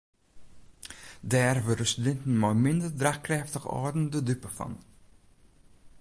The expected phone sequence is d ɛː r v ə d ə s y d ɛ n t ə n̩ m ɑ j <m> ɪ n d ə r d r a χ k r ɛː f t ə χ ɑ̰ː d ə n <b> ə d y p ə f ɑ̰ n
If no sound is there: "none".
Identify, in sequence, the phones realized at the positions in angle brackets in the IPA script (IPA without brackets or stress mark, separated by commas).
m, d